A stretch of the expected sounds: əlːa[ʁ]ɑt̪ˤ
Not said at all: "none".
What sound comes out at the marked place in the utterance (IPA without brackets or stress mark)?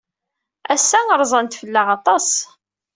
ʁ